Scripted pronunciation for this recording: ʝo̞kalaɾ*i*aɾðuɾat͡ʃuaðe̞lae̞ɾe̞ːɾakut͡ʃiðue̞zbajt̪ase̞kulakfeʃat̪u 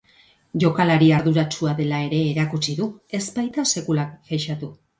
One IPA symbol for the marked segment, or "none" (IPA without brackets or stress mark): i